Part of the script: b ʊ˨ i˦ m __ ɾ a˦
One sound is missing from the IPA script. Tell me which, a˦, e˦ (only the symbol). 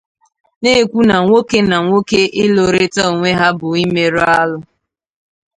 e˦